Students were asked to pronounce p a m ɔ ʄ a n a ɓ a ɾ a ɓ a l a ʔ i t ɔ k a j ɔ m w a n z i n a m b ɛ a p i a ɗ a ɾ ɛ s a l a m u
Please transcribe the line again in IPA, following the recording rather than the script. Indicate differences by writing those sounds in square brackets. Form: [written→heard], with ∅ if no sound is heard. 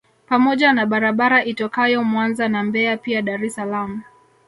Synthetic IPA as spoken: p a m ɔ ʄ a n a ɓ a ɾ a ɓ a [l→ɾ] a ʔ i t ɔ k a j ɔ m w a n z [i→a] n a m b ɛ a p i a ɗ a ɾ ɛ s a l a m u